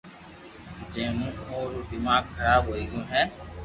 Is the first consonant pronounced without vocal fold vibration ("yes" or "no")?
no